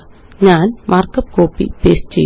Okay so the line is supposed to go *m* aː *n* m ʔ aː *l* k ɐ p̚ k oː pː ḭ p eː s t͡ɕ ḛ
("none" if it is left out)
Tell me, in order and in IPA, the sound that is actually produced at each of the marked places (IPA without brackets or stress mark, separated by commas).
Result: ɲ, n, r